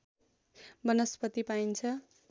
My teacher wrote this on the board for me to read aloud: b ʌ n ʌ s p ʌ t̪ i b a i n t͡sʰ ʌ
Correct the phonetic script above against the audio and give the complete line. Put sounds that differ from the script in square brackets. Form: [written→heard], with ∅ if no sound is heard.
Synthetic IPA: b ʌ n ʌ s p ʌ t̪ i [b→p] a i n t͡sʰ ʌ